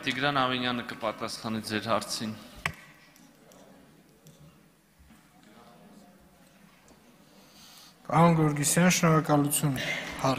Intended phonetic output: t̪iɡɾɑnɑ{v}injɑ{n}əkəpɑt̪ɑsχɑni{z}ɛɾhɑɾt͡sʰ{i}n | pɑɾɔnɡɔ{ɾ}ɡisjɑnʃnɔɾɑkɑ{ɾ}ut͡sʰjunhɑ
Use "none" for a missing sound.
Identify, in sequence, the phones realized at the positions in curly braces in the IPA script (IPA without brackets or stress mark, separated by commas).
v, n, d͡z, i, ɾ, l